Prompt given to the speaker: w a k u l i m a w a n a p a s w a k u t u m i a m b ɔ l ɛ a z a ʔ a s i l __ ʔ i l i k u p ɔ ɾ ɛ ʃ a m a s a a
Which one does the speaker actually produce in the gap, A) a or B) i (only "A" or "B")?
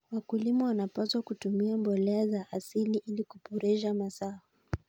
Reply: B